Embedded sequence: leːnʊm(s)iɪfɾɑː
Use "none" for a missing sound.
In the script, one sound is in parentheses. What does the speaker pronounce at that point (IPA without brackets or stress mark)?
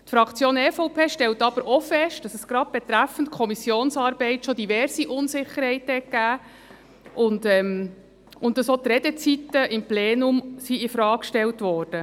s